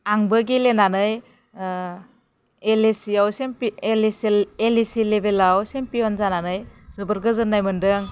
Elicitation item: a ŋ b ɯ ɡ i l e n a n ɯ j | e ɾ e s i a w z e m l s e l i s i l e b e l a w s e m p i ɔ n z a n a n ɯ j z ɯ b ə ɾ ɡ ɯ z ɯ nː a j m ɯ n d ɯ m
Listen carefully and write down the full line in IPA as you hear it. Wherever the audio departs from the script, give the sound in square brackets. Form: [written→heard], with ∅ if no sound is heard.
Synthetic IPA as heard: a ŋ b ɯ ɡ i l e n a n ɯ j | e [ɾ→l] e s i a w [z→s] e m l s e l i s i l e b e l a w s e m p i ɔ n z a n a n ɯ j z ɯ b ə ɾ ɡ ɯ z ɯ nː a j m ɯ n d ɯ [m→ŋ]